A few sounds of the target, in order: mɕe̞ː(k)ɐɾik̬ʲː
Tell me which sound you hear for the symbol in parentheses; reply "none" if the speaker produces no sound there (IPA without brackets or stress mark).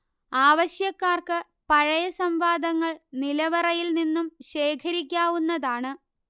kʰ